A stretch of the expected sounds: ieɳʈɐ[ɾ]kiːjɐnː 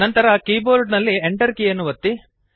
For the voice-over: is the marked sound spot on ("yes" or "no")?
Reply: yes